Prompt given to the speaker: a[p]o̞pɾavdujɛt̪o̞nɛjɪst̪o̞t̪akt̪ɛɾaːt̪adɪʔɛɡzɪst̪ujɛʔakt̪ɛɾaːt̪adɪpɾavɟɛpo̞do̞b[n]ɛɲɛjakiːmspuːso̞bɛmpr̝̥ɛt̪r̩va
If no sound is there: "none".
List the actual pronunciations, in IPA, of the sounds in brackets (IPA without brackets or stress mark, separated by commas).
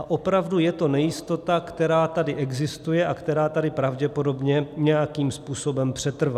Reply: ʔ, ɲ